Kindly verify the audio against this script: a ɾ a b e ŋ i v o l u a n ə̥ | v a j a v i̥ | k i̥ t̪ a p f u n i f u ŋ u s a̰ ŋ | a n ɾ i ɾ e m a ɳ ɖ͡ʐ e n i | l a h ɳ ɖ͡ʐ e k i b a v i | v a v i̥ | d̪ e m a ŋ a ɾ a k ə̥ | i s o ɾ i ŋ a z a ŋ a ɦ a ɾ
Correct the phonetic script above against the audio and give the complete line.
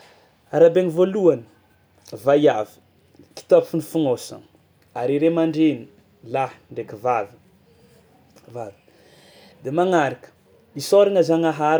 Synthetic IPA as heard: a ɾ a b e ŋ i v o l u a n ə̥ | v a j a v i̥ | k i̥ t̪ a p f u n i f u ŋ o s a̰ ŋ | a ɾ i ɾ e m a ɳ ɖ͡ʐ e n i | l a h ɳ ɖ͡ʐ e k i v a v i | v a v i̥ | d̪ e m a ŋ a ɾ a k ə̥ | i s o ɾ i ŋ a z a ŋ a ɦ a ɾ

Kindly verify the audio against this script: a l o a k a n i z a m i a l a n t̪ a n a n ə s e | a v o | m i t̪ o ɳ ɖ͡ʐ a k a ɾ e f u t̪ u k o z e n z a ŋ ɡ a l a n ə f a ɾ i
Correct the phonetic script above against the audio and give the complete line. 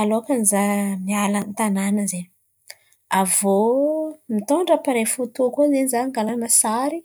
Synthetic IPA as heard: a l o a k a n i z a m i a l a n t̪ a n a n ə z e | a v o | m i t̪ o ɳ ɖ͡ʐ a p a ɾ e f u t̪ u k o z e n z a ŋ ɡ a l a n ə s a ɾ i

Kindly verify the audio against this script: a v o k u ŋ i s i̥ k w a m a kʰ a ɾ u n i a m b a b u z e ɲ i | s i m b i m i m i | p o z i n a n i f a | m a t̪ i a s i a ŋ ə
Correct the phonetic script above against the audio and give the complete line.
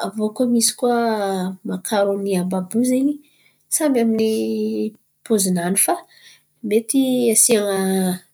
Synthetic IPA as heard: a v o k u m i s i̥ k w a m a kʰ a ɾ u n i a m b a b u z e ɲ i | s a m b a m i n i | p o z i n a n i f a | m e t̪ i a s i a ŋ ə

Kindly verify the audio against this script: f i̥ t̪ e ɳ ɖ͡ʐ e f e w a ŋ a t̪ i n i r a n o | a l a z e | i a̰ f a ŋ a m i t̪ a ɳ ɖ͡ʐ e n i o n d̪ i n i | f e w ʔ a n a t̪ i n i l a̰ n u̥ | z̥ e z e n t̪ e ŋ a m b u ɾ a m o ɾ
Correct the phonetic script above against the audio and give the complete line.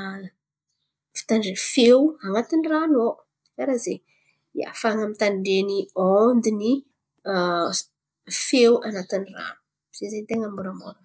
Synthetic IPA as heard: f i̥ t̪ a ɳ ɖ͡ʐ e f e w a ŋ a t̪ i n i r a n o | a ɾ a z e | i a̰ f a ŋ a m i t̪ a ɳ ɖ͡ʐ e n i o n d̪ i n i | f e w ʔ a n a t̪ i n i r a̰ n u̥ | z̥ e z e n t̪ e ŋ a m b u ɾ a m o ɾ

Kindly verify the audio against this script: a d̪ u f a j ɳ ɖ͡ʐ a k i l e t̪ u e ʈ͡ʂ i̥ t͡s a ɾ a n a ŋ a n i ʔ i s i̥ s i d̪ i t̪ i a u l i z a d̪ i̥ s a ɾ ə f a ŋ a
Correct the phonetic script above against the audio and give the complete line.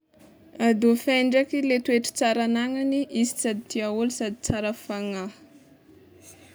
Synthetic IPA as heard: a d̪ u f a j ɳ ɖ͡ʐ a k i l e t̪ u e ʈ͡ʂ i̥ t͡s a ɾ a n a ŋ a n i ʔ i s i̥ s a d̪ i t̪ i a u l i s a d̪ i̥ t͡s a ɾ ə f a ŋ a

